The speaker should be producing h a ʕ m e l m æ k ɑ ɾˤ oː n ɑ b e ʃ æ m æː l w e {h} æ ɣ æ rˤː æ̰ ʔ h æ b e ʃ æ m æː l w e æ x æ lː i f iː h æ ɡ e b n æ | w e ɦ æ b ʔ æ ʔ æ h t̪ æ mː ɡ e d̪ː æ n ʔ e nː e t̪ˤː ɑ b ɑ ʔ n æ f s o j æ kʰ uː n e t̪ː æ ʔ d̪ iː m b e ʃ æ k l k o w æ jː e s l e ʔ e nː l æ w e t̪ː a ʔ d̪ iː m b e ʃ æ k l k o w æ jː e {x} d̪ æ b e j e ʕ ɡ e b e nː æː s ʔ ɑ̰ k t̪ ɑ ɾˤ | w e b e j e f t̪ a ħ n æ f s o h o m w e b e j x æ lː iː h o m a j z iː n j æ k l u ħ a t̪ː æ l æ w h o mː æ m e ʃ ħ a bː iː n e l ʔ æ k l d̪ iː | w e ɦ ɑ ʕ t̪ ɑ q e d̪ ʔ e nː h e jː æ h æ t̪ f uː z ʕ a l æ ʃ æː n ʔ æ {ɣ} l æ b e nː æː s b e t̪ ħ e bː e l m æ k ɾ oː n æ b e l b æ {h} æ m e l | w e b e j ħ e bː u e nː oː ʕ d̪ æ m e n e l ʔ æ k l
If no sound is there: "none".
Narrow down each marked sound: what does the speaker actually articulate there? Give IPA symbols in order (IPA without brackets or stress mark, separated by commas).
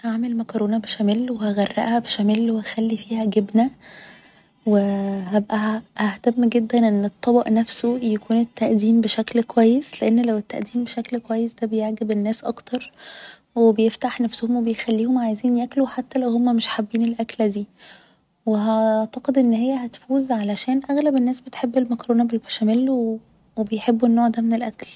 h, s, ɣ, ʃ